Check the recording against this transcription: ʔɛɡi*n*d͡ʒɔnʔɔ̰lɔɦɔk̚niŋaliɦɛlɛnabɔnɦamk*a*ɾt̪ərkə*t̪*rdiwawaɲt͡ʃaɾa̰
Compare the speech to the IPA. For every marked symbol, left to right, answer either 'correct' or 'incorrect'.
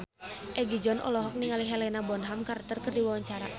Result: incorrect, correct, incorrect

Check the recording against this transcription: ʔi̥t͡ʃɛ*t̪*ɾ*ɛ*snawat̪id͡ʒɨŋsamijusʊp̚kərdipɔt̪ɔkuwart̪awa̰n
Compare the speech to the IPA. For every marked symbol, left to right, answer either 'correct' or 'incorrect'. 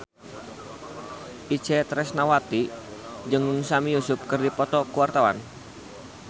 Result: correct, correct

